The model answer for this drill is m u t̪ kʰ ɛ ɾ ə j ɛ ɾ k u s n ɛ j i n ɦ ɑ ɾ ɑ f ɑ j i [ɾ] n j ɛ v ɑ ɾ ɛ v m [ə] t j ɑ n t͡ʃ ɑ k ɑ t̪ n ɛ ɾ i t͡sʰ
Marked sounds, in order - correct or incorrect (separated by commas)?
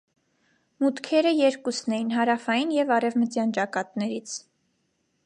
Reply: incorrect, correct